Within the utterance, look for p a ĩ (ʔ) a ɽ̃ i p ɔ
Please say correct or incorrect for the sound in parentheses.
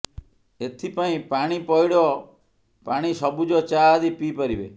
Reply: incorrect